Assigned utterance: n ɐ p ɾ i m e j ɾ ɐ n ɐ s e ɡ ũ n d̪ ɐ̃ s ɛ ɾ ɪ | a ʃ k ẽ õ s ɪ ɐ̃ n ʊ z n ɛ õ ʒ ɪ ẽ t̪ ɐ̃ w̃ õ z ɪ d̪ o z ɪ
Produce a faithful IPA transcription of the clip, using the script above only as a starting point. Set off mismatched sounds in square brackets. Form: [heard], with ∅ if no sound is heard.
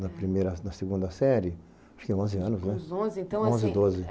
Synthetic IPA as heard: n ɐ p ɾ i m e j ɾ ɐ n ɐ s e ɡ ũ n d̪ [ɐ] s ɛ ɾ ɪ | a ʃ k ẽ õ [z] ɪ ɐ̃ n ʊ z n ɛ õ [z] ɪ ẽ t̪ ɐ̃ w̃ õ z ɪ d̪ o z ɪ